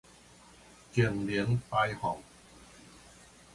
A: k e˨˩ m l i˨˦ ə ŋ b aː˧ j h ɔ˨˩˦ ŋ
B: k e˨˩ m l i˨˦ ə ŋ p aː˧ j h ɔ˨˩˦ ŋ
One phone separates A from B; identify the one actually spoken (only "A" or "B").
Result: B